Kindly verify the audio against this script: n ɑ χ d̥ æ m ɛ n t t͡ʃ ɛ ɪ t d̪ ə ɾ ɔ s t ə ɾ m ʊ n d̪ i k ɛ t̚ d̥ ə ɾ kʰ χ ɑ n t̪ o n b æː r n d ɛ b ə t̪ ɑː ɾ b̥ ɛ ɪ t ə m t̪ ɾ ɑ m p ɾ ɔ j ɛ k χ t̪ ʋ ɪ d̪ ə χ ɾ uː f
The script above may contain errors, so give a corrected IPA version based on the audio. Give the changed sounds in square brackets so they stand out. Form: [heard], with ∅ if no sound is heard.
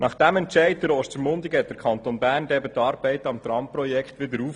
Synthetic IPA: n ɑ χ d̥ æ m ɛ n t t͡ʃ ɛ ɪ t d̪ ə ɾ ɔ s t ə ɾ m ʊ n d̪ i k ɛ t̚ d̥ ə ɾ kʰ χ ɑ n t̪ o n b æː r n d ɛ b ə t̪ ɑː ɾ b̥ ɛ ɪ t [ɑ] m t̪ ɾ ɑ m p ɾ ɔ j ɛ k χ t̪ ʋ ɪ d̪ ə [∅] ɾ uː f